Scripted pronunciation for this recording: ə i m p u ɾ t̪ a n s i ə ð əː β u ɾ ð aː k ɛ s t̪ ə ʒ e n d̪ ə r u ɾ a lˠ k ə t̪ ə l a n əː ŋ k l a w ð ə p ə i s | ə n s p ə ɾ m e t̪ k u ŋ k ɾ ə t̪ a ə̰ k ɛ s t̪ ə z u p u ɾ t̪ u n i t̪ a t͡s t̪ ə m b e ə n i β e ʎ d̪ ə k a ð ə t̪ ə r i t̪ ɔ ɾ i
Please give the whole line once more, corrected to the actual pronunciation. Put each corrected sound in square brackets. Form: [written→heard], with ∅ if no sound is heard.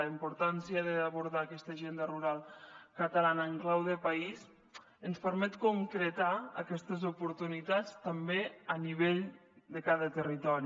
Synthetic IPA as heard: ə i m p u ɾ t̪ a n s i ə ð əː β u ɾ ð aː k ɛ s t̪ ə ʒ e n d̪ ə r u ɾ a lˠ k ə t̪ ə l a n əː ŋ k l a w ð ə p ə i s | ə n s p ə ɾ m [e→ɛ] t̪ k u ŋ k ɾ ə t̪ a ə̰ k ɛ s t̪ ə z u p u ɾ t̪ u n i t̪ a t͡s t̪ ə m b e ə n i β e ʎ d̪ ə k a ð ə t̪ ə r i t̪ ɔ ɾ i